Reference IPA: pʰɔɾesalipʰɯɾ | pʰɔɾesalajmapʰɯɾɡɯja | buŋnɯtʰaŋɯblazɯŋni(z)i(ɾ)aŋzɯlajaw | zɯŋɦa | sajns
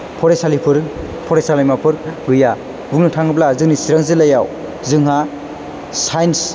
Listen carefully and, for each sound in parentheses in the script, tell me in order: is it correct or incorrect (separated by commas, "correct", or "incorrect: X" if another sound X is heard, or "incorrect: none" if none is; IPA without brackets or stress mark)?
incorrect: s, correct